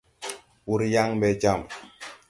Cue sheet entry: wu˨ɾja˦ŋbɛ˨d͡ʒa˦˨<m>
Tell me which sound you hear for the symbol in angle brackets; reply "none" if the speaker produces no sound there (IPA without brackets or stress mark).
m